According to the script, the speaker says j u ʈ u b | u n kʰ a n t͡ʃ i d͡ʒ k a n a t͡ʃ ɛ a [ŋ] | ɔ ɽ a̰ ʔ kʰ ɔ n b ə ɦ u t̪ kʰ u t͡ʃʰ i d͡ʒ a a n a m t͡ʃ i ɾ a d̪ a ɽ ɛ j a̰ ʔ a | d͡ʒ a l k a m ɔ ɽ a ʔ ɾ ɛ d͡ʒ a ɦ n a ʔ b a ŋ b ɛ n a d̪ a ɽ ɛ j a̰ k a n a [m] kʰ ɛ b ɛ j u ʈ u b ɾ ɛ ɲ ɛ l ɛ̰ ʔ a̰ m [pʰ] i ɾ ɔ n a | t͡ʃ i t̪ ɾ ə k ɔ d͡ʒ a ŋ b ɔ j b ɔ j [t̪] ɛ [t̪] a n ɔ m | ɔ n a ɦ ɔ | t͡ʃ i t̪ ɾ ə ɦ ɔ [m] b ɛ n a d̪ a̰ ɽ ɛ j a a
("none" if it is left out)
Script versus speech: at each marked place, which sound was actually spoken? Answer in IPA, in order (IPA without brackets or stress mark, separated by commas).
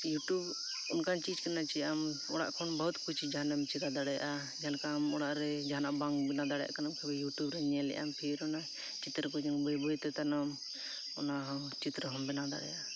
m, m, pʰ, t̪, t̪, m